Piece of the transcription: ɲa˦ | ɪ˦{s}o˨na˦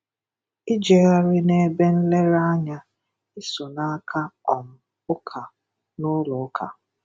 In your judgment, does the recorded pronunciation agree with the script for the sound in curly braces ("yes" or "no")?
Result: yes